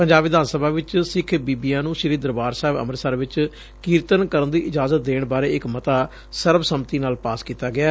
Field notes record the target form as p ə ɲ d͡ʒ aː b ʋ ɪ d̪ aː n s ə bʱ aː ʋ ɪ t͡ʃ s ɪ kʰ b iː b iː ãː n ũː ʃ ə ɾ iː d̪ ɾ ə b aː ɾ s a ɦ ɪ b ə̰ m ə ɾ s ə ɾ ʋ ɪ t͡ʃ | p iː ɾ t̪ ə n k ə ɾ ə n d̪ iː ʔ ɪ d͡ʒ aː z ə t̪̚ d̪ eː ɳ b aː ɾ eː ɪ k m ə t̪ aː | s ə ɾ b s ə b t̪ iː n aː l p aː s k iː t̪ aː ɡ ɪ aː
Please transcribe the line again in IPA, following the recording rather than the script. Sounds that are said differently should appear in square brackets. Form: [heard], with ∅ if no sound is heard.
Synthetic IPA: p ə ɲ d͡ʒ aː b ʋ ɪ d̪ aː n s ə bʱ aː ʋ ɪ t͡ʃ s ɪ kʰ b iː b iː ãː n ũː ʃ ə ɾ iː d̪ ɾ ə b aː ɾ s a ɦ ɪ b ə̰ m ə ɾ s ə ɾ ʋ ɪ t͡ʃ | [k] iː ɾ t̪ ə n k ə ɾ ə n d̪ iː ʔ ɪ d͡ʒ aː z ə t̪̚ d̪ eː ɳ b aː ɾ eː ɪ k m ə t̪ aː | s ə ɾ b s ə [m] t̪ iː n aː l p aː s k iː t̪ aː ɡ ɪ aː